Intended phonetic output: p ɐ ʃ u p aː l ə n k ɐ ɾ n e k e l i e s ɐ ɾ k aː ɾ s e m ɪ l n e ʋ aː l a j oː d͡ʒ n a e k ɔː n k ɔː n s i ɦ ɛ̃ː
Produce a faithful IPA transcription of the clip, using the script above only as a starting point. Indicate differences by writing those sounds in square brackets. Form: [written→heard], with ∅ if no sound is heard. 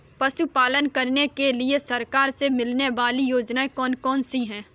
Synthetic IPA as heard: p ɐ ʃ u p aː l ə n k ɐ ɾ n e k e l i e s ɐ ɾ k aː ɾ s e m ɪ l n e ʋ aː l [a→i] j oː d͡ʒ n a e k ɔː n k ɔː n s i ɦ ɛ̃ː